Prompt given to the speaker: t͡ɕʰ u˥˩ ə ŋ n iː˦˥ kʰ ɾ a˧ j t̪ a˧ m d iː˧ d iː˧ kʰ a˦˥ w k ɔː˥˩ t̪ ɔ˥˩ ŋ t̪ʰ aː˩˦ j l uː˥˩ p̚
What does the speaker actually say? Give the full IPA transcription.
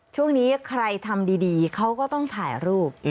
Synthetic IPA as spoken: t͡ɕʰ u˥˩ ə ŋ n iː˦˥ kʰ ɾ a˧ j t̪ʰ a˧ m d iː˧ d iː˧ kʰ a˦˥ w k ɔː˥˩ t̪ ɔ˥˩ ŋ t̪ʰ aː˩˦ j ɾ uː˥˩ p̚

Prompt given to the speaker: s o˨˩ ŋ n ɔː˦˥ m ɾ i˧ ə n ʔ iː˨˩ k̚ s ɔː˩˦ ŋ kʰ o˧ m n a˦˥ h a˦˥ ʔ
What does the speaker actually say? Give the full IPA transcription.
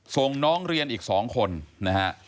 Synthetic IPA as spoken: s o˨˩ ŋ n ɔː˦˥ ŋ ɾ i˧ ə n ʔ iː˨˩ k̚ s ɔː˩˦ ŋ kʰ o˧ n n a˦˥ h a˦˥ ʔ

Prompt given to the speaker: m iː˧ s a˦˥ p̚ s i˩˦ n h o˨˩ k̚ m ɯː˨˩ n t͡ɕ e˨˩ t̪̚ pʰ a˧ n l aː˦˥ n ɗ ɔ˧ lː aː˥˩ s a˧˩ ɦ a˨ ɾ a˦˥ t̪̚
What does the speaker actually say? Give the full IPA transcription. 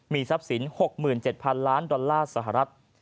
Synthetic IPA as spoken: m iː˧ s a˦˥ p̚ s i˩˦ n h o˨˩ k̚ m ɯː˨˩ n t͡ɕ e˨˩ t̪̚ pʰ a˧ n l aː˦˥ n d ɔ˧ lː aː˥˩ s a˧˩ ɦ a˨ ɾ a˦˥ t̪̚

